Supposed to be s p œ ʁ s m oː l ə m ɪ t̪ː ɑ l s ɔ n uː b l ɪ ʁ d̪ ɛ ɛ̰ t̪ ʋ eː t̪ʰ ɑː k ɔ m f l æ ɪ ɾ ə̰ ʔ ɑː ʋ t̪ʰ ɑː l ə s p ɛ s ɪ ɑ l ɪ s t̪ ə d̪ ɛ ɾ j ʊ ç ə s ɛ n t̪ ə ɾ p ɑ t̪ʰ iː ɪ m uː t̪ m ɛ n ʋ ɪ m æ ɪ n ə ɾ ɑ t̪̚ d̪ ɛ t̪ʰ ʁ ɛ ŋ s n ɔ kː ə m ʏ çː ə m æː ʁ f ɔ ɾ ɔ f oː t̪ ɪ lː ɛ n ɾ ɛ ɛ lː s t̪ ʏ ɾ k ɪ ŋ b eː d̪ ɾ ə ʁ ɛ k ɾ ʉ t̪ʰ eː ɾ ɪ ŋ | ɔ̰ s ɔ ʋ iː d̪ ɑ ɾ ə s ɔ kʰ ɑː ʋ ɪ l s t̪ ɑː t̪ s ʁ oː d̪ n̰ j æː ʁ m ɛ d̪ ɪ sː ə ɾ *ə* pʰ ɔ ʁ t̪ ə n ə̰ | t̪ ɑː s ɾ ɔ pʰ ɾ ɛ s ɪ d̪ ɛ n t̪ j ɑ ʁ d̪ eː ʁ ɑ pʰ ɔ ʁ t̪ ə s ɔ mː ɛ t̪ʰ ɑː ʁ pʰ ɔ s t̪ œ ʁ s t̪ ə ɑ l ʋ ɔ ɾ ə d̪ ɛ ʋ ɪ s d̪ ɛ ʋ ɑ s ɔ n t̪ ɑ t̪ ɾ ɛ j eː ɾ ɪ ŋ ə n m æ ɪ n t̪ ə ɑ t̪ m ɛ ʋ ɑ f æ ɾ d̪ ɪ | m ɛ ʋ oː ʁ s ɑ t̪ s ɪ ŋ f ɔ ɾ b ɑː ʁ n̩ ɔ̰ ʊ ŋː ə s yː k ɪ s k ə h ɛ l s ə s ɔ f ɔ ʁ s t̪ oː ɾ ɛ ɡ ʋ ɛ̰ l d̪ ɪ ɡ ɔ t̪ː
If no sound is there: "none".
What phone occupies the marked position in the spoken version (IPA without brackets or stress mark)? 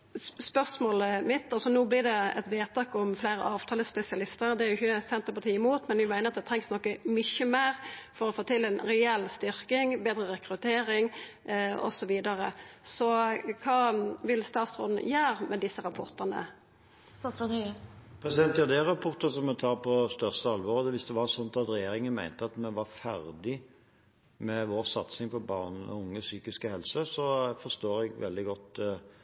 ɑ